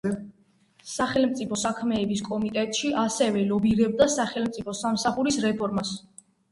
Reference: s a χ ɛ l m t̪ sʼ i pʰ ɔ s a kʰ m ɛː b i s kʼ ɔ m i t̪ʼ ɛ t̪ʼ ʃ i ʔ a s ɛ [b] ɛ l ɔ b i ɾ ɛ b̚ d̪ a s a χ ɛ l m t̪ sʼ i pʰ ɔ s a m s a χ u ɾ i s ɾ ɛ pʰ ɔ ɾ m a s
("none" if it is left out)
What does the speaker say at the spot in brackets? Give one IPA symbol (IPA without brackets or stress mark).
v